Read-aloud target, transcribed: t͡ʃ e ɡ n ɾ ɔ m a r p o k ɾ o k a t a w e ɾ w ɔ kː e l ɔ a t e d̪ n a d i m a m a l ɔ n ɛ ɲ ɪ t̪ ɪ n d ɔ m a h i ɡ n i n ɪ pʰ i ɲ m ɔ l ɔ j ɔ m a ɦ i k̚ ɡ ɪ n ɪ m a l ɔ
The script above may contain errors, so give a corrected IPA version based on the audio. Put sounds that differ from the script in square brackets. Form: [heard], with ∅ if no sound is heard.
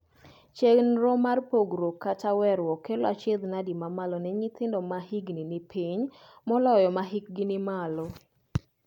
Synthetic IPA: t͡ʃ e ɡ n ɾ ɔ m a r p o [ɡ] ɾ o k a t a w [ɛ] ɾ w ɔ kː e l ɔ a [t͡ʃ] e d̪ n a d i m a m a l ɔ n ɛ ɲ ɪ t̪ ɪ n d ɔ m a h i ɡ n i n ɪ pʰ i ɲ m ɔ l ɔ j ɔ m a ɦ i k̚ ɡ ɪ n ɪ m a l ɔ